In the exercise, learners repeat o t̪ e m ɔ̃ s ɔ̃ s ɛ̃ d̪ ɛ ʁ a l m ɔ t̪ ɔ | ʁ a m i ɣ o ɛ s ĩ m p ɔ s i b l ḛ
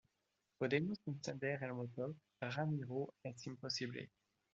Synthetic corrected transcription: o d̪ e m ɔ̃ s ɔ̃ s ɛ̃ d̪ ɛ ʁ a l m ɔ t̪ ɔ | ʁ a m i ʁ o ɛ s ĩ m p ɔ s i b l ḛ